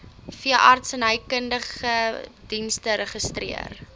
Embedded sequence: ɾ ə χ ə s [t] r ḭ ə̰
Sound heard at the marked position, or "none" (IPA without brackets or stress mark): t